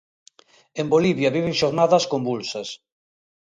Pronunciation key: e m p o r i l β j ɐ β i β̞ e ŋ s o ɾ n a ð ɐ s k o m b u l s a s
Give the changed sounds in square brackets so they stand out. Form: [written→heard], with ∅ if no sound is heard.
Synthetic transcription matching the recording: e m [p→b] o [r→l] i [l→∅] β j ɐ β i β̞ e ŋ [s→ʃ] o ɾ n a ð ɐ s k o m b u l s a s